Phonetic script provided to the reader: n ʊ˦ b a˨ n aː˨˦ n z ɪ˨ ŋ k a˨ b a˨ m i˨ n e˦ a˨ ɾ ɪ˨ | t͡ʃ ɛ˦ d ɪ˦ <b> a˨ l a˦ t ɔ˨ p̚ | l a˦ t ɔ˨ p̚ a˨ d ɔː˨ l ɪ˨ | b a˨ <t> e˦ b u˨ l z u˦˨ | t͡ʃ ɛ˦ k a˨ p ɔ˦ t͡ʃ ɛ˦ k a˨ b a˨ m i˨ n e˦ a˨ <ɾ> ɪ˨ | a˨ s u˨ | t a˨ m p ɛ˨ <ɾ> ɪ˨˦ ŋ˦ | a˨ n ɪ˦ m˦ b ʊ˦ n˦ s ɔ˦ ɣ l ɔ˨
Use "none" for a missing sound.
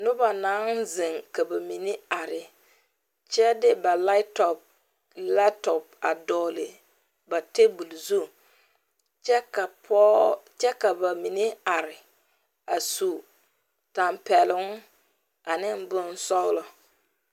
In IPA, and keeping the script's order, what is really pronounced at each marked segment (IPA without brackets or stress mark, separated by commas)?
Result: b, t, ɾ, l